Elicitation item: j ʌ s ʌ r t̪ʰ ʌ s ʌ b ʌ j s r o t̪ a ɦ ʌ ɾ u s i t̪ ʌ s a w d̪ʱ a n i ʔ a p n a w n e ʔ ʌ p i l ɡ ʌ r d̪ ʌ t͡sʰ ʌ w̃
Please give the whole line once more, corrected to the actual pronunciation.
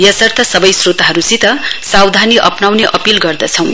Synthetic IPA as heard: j ʌ s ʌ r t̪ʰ ʌ s ʌ b ʌ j s r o t̪ a ɦ ʌ ɾ u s i t̪ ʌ s a w d̪ʱ a n i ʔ ʌ p n a w n e ʔ ʌ p i l ɡ ʌ r d̪ ʌ t͡sʰ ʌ w̃